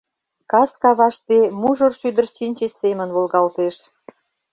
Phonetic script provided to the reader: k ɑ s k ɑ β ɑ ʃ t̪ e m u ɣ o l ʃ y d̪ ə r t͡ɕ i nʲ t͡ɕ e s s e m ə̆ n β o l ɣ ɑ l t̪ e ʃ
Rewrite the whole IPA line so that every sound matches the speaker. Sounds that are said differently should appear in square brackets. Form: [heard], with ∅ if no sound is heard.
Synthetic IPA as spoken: k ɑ s k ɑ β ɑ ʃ t̪ e m u [ʒ] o [r] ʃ y d̪ ə r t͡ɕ i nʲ t͡ɕ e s s e m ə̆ n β o l ɣ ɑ l t̪ e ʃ